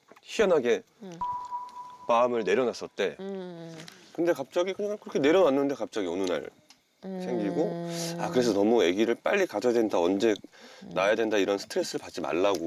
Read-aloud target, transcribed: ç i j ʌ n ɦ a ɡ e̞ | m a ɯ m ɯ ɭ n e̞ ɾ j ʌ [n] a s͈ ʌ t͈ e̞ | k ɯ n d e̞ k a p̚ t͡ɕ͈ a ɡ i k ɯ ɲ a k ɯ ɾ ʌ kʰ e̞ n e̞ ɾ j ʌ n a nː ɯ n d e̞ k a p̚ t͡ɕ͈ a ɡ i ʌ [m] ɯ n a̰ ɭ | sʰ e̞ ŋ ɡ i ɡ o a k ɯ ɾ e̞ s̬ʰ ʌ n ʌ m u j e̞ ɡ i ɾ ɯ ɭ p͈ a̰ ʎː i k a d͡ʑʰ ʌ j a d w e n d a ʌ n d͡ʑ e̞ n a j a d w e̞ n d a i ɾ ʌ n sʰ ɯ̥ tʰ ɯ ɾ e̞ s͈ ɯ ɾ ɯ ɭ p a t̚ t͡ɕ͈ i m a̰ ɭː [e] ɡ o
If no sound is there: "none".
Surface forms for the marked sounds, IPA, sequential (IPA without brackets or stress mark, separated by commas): n, n, a